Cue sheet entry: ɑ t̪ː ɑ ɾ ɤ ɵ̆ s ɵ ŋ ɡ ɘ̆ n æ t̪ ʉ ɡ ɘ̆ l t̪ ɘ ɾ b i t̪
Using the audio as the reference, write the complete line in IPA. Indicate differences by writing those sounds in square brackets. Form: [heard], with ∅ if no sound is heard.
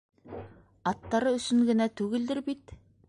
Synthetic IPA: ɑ t̪ː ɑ ɾ ɤ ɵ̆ s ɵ ŋ ɡ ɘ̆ n æ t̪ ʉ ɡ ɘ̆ l [d̪] ɘ ɾ b i t̪